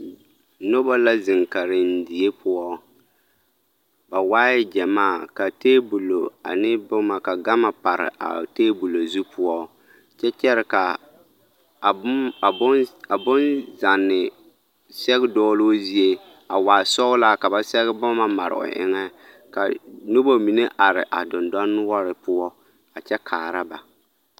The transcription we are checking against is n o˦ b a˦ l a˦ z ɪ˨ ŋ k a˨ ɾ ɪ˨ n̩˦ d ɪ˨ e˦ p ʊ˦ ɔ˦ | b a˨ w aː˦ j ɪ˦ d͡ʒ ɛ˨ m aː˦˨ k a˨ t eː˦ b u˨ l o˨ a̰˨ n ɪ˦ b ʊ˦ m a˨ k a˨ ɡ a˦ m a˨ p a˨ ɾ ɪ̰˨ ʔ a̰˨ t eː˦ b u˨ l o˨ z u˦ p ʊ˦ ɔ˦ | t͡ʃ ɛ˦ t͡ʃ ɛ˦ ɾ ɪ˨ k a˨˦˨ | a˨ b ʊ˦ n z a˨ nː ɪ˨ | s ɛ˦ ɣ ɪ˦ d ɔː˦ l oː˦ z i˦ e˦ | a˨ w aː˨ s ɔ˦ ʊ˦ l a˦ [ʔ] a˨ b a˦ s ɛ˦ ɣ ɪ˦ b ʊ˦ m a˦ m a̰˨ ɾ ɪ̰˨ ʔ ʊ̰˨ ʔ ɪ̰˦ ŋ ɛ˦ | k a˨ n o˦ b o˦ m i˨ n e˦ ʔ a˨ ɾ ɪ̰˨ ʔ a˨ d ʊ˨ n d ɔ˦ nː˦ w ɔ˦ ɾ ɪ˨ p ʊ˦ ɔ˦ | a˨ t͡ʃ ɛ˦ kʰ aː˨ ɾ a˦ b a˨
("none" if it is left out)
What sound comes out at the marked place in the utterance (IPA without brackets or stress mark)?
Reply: k